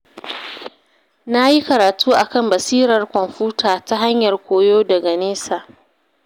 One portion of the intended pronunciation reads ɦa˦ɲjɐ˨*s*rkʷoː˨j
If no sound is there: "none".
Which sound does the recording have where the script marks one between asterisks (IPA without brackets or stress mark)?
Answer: none